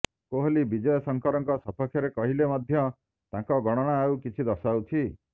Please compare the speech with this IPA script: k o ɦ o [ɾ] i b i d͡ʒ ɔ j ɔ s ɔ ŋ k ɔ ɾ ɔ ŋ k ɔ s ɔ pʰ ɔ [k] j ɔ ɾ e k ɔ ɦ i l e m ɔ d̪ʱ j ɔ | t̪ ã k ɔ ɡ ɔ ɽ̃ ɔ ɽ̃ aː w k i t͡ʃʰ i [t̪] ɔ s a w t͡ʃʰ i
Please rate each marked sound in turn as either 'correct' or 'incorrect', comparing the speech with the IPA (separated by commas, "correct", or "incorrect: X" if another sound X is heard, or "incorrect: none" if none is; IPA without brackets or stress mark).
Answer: incorrect: l, incorrect: kʰ, incorrect: d̪